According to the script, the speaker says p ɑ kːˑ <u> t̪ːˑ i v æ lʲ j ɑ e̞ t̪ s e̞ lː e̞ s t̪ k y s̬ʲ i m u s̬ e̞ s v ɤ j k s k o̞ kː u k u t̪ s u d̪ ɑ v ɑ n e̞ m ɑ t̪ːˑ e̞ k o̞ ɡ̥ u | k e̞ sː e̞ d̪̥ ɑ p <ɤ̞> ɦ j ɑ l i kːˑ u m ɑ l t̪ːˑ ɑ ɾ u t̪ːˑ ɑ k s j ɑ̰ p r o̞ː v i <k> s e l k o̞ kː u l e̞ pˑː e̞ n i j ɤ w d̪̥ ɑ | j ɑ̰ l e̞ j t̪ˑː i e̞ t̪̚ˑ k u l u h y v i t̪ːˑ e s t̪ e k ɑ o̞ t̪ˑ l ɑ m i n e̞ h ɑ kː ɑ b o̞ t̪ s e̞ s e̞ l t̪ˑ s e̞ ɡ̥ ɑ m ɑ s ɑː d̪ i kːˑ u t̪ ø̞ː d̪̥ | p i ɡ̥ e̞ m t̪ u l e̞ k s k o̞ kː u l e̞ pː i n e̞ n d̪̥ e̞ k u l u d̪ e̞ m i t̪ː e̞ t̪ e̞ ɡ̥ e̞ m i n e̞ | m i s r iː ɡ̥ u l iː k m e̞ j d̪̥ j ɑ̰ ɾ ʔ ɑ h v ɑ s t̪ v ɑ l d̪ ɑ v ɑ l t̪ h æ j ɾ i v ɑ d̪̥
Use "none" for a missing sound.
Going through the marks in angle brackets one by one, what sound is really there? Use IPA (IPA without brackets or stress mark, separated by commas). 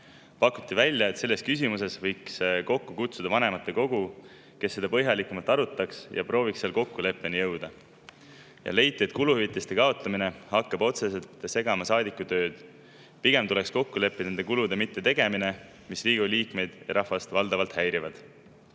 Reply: u, ɤ̞, k